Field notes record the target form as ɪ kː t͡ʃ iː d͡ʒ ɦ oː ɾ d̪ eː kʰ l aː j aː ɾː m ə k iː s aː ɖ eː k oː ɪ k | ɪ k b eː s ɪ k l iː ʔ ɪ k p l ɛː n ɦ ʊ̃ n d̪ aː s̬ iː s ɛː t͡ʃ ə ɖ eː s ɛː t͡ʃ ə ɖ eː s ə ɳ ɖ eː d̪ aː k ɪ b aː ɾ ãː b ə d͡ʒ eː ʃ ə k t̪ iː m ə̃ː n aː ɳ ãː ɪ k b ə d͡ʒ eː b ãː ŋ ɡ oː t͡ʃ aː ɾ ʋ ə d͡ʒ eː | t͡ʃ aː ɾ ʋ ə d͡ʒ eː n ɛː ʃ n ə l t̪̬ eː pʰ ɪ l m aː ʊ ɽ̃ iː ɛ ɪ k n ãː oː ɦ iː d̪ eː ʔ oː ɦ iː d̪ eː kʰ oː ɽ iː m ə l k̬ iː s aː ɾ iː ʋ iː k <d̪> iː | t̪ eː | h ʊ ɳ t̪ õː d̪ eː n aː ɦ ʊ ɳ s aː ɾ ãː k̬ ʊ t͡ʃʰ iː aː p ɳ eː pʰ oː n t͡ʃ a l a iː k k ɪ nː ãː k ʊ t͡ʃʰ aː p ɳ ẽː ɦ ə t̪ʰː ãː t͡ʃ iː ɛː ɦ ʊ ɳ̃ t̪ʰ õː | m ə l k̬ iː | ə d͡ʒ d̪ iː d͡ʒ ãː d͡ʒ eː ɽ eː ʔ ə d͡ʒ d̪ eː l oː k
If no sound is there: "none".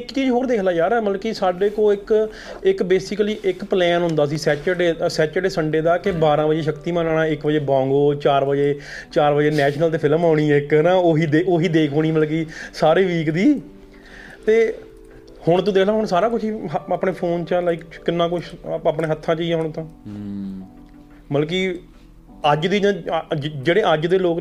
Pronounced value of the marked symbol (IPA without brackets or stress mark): d̪